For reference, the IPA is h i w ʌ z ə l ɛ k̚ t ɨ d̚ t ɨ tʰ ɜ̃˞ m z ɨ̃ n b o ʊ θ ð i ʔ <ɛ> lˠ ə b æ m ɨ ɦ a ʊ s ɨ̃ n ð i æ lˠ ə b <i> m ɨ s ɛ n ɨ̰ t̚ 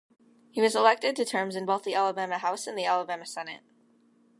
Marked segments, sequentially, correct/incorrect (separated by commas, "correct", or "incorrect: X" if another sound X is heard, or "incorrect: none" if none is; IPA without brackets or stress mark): incorrect: æ, incorrect: æ